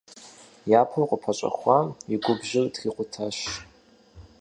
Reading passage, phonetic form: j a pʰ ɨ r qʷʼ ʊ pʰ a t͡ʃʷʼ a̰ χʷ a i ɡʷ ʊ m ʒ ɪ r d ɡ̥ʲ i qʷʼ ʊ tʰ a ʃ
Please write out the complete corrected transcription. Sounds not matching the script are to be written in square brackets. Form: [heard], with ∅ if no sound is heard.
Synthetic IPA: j a pʰ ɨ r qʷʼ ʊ pʰ a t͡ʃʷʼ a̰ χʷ a i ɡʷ ʊ [b] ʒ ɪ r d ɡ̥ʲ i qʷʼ ʊ tʰ a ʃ